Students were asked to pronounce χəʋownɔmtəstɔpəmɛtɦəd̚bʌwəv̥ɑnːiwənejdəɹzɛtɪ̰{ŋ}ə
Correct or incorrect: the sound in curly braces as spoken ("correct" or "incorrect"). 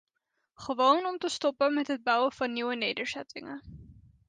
correct